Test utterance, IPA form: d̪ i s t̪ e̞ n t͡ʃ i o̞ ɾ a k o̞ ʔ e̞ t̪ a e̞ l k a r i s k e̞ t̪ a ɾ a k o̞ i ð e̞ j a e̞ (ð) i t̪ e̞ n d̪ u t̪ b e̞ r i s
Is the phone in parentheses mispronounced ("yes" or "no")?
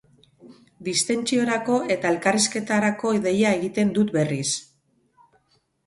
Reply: yes